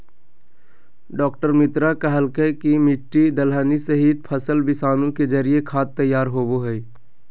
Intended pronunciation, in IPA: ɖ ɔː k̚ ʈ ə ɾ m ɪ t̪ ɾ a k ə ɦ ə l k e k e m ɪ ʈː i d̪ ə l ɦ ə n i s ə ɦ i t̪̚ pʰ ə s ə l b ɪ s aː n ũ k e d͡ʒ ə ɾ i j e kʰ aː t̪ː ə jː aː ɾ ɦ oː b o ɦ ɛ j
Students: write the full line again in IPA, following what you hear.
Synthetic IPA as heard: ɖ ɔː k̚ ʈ ə ɾ m ɪ t̪ ɾ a k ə ɦ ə l k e k i m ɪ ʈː i d̪ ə l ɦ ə n i s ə ɦ i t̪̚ pʰ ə s ə l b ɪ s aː n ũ k e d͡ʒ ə ɾ i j e kʰ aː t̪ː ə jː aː ɾ ɦ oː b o ɦ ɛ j